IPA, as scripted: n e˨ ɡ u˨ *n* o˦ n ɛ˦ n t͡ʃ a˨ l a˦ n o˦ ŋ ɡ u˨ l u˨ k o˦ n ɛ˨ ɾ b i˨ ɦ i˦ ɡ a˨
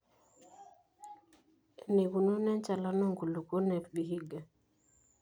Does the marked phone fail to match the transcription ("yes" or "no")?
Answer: no